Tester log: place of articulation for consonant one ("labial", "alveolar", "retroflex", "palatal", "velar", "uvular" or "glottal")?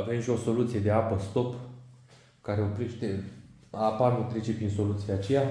labial